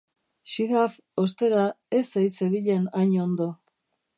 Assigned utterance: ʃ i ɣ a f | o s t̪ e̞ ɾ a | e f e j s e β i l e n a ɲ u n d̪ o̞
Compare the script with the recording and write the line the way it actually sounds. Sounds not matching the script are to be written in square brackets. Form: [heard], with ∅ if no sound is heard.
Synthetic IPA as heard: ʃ i ɣ a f | o s t̪ e̞ ɾ a | e [s] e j s e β i [ʎ] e n a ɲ [o] n d̪ o̞